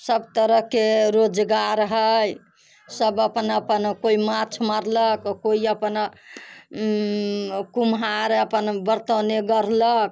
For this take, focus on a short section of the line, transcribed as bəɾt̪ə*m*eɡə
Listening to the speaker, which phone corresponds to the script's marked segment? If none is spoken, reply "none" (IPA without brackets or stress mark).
n